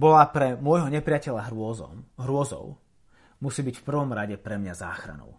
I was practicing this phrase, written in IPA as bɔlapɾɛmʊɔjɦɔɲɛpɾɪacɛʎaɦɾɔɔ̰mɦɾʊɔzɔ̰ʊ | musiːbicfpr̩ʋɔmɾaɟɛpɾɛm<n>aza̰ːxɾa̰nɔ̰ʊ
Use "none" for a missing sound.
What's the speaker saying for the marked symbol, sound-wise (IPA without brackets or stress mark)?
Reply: ɲ